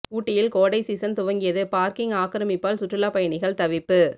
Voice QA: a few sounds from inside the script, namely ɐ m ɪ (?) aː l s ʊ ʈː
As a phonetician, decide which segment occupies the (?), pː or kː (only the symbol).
pː